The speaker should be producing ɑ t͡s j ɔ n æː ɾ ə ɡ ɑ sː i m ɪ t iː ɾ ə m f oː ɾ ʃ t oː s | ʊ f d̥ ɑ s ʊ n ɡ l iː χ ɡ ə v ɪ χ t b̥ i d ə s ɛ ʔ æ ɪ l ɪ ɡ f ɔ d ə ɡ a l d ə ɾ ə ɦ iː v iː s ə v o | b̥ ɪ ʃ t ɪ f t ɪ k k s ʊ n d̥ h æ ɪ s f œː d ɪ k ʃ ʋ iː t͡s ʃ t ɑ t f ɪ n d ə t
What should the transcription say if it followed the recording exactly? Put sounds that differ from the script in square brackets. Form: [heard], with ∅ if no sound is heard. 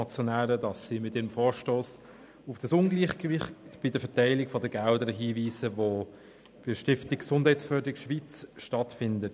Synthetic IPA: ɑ t͡s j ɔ n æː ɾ ə [d] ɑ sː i m ɪ t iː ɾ ə m f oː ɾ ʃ t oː s | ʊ f d̥ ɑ s ʊ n ɡ l iː χ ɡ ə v ɪ χ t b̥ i d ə [f] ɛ [t] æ ɪ l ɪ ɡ f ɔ d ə ɡ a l d ə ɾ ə ɦ iː v iː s ə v o | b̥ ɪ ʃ t ɪ f t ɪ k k s ʊ n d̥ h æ ɪ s f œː d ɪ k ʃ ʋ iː t͡s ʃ t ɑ t f ɪ n d ə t